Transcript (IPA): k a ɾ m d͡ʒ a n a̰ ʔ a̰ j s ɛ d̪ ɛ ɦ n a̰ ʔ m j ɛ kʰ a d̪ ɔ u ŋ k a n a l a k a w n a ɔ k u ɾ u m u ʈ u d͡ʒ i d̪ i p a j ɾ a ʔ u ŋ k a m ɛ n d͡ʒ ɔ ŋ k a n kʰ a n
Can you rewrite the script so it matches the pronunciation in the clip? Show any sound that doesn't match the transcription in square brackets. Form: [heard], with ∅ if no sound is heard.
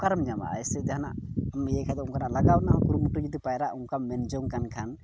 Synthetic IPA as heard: k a ɾ m d͡ʒ a [m] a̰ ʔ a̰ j s ɛ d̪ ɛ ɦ n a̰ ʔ m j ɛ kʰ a d̪ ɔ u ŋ k a n a l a [ɡ] a w n a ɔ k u ɾ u m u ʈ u d͡ʒ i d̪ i p a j ɾ a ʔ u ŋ k a m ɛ n d͡ʒ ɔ ŋ k a n kʰ a n